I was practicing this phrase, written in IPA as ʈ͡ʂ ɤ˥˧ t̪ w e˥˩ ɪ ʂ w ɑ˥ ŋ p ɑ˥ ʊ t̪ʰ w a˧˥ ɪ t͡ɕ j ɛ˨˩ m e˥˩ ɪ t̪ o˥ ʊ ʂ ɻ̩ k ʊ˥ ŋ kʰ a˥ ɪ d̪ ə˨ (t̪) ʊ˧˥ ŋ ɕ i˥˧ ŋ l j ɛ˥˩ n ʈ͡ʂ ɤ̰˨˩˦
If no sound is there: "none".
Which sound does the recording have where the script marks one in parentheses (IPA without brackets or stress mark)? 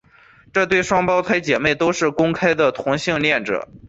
t̪ʰ